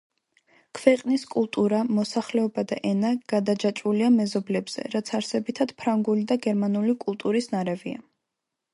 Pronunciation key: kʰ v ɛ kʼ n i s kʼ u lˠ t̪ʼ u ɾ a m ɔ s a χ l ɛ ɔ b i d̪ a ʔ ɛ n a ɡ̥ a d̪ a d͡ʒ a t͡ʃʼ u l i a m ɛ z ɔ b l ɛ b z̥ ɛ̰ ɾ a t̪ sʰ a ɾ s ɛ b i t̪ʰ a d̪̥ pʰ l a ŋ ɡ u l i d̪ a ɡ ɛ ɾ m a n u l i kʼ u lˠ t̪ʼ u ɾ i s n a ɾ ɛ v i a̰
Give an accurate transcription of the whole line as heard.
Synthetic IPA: kʰ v ɛ qʼ n i s kʼ u lˠ t̪ʼ u ɾ a m ɔ s a χ l ɛ ɔ b a d̪ a ʔ ɛ n a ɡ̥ a d̪ a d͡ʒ a t͡ʃʼ u l i a m ɛ z ɔ b l ɛ b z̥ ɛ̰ ɾ a t̪ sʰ a ɾ s ɛ b i t̪ʰ a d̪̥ pʰ ɾ a ŋ ɡ u l i d̪ a ɡ ɛ ɾ m a n u l i kʼ u lˠ t̪ʼ u ɾ i s n a ɾ ɛ v i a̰